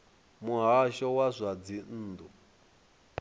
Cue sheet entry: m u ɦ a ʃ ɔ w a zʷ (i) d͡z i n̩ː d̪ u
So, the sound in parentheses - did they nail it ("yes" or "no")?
no